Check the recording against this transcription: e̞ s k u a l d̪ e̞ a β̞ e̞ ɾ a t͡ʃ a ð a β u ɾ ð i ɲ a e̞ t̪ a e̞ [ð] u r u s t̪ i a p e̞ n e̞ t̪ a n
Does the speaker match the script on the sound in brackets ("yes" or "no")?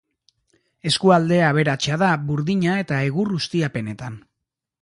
no